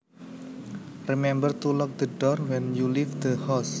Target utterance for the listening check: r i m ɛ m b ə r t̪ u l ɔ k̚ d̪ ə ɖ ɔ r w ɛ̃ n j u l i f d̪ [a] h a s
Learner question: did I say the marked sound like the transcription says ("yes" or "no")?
no